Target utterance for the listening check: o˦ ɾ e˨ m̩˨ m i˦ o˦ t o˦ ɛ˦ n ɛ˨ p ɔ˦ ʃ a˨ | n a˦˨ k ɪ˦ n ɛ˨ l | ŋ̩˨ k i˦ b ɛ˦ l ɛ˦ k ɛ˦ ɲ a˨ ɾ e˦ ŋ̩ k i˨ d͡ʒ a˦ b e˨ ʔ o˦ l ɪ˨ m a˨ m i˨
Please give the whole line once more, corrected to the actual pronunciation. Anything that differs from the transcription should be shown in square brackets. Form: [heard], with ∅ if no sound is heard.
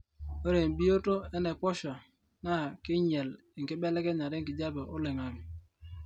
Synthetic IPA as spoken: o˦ ɾ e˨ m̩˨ [b] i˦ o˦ t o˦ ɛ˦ n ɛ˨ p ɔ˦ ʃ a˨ | n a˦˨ k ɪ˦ [ɲ] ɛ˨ l | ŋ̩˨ k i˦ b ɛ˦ l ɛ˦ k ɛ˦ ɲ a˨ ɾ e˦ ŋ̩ k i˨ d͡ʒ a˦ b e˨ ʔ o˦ l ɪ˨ [ŋ] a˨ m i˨